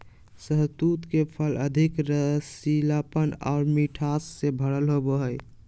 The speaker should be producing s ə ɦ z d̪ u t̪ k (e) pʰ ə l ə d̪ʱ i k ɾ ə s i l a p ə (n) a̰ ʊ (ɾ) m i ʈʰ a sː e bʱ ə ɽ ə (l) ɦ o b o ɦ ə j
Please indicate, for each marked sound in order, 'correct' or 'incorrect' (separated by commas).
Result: correct, correct, correct, correct